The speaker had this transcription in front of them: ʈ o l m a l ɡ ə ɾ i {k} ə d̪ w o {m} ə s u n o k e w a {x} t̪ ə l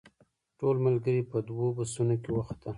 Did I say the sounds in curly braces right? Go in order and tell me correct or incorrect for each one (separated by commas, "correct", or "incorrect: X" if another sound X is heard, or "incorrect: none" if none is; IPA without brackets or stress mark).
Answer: incorrect: p, incorrect: b, correct